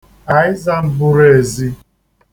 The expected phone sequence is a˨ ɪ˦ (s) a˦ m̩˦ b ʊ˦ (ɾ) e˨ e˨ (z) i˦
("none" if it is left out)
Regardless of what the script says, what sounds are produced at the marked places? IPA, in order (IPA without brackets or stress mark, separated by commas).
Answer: z, ɾ, z